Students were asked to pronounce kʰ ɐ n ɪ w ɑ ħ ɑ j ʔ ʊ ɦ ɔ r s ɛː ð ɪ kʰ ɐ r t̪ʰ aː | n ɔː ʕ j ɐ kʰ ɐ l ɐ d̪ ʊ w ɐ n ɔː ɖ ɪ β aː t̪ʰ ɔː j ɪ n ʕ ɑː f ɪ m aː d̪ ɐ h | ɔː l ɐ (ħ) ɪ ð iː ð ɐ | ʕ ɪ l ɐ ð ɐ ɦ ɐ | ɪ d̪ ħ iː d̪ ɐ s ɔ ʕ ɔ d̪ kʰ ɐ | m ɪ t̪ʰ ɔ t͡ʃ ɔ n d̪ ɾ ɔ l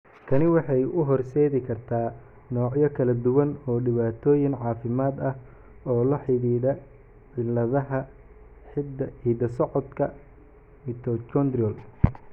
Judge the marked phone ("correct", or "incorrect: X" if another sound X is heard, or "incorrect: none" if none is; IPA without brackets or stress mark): correct